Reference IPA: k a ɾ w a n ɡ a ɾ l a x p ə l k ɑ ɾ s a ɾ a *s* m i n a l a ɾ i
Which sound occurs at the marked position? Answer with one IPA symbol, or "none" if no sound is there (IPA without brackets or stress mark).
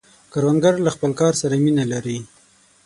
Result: none